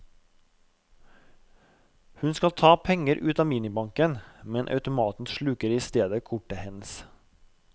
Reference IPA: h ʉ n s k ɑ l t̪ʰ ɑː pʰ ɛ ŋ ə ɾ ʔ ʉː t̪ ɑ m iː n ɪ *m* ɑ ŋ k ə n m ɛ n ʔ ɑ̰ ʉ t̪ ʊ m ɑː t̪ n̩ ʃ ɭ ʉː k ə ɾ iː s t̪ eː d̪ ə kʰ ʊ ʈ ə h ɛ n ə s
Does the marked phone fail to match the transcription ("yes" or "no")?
yes